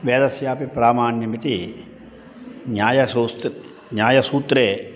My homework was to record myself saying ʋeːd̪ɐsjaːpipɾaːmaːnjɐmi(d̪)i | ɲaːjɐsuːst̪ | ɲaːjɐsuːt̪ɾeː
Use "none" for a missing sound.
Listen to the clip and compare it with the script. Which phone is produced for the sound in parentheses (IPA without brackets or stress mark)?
t̪